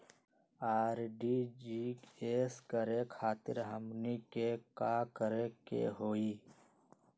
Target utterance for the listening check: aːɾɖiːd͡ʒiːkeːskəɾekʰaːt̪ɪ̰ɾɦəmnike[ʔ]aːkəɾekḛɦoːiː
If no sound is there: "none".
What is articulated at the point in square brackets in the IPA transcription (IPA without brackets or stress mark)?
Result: k